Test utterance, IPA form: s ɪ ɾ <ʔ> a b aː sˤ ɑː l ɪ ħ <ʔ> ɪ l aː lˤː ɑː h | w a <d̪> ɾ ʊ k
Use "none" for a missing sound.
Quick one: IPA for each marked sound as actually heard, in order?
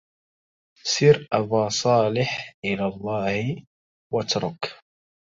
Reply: ʔ, ʔ, t̪

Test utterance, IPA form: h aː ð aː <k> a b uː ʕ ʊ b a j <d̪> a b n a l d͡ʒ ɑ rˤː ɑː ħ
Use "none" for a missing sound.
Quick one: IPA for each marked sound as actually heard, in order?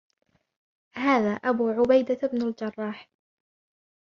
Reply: ʔ, d̪

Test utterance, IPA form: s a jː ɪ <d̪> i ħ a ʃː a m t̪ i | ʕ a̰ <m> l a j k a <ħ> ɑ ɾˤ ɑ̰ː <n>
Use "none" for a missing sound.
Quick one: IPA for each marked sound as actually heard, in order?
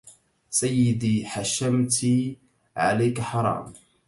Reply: d̪, none, ħ, m

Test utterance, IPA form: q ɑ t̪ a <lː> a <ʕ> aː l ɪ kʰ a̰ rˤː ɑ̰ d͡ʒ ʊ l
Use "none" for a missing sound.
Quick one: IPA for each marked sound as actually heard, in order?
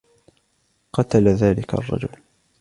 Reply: l, ð

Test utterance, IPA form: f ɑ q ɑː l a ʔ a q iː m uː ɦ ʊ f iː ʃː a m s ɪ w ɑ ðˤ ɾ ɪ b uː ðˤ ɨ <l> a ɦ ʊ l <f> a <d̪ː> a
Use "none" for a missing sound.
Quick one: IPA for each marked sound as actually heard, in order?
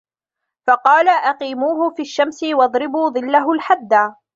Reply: lː, ħ, d̪ː

